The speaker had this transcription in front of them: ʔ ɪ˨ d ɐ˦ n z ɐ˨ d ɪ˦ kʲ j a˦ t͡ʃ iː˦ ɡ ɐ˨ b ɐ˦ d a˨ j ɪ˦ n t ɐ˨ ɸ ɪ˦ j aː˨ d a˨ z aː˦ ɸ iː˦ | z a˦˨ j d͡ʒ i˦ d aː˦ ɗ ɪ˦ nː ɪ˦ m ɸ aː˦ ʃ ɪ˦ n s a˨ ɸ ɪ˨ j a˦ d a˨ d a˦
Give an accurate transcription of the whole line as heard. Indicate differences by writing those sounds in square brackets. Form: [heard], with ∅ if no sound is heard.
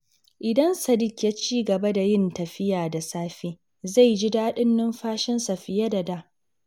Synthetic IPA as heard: ʔ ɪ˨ d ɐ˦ n [s] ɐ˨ d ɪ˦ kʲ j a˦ t͡ʃ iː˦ ɡ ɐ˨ b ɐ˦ d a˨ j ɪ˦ n t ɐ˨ ɸ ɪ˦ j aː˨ d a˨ [s] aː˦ ɸ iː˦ | z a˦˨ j d͡ʒ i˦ d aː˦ ɗ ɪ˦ nː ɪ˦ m ɸ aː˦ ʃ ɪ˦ n s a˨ ɸ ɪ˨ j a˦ d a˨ d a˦